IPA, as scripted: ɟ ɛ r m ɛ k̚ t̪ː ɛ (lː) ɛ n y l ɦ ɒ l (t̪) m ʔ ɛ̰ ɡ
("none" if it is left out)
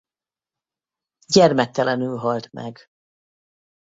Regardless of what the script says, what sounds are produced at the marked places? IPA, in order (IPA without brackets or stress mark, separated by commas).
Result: l, t̪